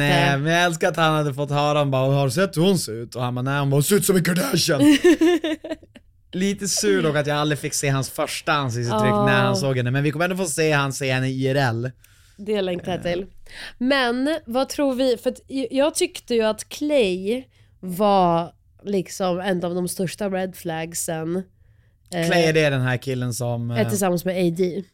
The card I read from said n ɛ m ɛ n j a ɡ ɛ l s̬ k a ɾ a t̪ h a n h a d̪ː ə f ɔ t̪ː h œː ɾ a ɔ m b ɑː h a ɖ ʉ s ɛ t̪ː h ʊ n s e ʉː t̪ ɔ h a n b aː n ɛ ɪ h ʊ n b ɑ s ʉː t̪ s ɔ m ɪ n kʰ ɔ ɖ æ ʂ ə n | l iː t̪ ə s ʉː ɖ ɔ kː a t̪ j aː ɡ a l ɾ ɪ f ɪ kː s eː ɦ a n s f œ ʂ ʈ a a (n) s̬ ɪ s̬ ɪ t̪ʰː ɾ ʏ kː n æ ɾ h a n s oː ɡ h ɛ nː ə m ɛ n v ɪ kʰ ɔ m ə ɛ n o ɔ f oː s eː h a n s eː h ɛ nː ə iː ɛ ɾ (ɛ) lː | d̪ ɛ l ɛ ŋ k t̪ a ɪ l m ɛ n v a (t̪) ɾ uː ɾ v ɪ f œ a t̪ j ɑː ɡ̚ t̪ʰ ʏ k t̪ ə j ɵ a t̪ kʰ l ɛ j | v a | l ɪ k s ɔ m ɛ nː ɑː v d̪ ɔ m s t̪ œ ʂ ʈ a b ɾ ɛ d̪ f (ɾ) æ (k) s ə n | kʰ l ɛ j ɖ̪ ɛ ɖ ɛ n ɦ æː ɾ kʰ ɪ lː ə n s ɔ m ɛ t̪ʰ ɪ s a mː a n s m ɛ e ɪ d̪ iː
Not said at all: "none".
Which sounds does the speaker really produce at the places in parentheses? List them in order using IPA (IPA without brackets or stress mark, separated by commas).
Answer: n, ɛ, t̪ʰ, l, ɡ